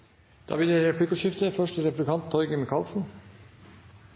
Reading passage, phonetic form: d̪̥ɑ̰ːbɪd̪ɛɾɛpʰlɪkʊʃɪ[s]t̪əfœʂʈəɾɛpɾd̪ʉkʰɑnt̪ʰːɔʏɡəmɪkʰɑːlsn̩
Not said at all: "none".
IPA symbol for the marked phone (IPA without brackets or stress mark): f